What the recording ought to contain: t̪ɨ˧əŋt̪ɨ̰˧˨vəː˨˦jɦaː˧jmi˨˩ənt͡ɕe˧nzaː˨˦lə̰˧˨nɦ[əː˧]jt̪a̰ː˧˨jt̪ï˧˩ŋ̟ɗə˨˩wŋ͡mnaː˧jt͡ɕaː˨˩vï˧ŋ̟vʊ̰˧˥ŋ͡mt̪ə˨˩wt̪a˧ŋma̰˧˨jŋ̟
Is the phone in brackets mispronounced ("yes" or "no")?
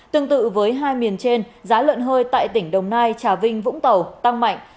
no